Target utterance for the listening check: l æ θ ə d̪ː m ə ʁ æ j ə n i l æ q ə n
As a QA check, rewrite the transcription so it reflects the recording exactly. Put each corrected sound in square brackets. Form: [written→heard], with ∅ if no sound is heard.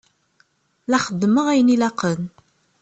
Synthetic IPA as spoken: l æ [θ→χ] ə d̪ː m ə ʁ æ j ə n i l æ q ə n